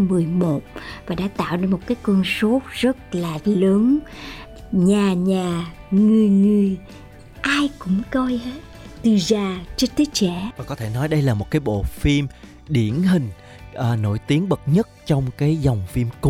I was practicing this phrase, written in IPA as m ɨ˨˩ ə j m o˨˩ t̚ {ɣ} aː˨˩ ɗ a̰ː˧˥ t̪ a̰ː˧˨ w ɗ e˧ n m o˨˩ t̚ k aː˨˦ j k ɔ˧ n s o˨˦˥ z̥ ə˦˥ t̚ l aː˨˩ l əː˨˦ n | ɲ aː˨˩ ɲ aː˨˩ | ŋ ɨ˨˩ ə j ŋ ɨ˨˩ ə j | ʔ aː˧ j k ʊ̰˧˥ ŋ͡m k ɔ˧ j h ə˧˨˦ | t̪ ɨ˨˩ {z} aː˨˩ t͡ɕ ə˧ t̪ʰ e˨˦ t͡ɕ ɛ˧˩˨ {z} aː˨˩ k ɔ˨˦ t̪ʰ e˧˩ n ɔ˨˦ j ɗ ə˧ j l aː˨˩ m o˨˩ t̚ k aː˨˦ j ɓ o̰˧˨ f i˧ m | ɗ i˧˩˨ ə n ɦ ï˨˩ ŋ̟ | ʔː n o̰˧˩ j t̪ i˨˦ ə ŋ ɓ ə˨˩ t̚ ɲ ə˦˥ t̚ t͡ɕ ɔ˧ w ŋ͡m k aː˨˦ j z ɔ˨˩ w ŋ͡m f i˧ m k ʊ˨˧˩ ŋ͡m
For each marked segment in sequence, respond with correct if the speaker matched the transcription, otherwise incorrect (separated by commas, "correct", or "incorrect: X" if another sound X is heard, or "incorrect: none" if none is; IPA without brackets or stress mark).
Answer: incorrect: v, correct, incorrect: v